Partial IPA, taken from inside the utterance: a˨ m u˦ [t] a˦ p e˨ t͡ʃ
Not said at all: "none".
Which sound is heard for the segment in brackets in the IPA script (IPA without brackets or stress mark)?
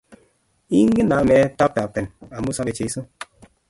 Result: s